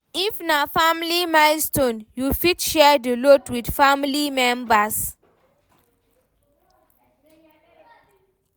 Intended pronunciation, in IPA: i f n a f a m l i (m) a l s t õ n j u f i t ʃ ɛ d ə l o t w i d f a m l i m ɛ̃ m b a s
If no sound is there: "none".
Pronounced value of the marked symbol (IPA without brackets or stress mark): m